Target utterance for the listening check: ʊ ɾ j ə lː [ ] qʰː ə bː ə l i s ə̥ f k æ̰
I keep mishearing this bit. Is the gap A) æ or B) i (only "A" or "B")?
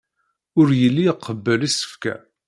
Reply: B